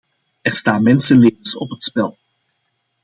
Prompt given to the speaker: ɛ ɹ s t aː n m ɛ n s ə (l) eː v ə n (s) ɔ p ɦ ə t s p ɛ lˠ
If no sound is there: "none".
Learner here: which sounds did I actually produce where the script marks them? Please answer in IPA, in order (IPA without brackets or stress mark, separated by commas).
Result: l, s